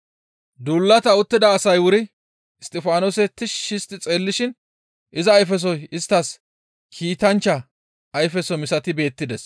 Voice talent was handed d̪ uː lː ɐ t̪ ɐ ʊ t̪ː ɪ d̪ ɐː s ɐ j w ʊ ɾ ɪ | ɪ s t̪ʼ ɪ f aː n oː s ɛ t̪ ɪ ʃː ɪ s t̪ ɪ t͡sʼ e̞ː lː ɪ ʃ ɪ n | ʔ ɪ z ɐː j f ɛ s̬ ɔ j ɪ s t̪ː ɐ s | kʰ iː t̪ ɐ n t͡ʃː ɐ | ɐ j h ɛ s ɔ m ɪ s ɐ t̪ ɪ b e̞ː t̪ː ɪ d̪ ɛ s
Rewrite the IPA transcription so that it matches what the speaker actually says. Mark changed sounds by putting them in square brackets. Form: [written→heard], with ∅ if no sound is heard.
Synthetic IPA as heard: d̪ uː lː ɐ t̪ ɐ ʊ t̪ː ɪ d̪ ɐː s ɐ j w ʊ ɾ ɪ | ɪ s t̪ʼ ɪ f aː n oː s ɛ t̪ ɪ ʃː ɪ s t̪ ɪ t͡sʼ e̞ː lː ɪ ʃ ɪ n | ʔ ɪ z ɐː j f ɛ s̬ ɔ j ɪ s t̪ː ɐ s | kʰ iː t̪ ɐ n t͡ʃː ɐ | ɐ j [h→f] ɛ s ɔ m ɪ s ɐ t̪ ɪ b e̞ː t̪ː ɪ d̪ ɛ s